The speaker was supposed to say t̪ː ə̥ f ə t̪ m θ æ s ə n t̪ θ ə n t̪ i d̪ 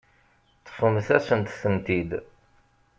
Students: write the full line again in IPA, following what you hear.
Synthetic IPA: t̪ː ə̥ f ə m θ æ s ə n t̪ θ ə n t̪ i d̪

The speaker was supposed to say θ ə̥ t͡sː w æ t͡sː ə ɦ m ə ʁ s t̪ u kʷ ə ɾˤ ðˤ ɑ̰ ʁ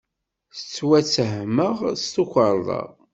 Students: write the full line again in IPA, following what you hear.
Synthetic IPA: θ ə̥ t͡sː w æ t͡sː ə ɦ m ə ʁ s t̪ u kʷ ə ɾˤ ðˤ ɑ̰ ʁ

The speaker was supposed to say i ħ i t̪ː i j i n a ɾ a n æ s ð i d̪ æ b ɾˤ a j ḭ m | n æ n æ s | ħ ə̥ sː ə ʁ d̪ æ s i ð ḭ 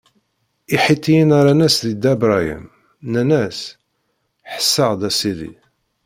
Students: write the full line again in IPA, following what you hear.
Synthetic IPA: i ħ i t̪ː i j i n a ɾ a n æ s ð i d̪ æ b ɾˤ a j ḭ m | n æ n æ s | ħ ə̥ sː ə ʁ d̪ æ s i ð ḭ

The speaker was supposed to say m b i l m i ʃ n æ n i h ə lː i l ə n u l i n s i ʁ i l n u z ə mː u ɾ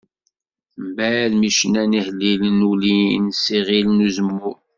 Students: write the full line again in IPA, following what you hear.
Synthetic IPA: m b æ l m i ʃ n æ n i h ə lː i l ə n u l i n s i ʁ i l n u z ə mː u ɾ

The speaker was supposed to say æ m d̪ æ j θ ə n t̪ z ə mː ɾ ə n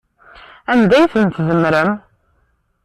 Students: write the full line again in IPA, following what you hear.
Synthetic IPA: æ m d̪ æ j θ ə n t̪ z ə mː ɾ ə m

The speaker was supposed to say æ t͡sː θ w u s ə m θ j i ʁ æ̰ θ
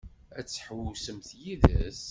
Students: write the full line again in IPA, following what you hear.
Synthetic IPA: æ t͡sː ħ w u s ə m θ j i ð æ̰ s

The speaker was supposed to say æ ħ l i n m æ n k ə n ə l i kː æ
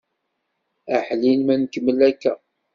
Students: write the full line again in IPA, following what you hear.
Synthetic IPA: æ ħ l i n m æ n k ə m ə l æ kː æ

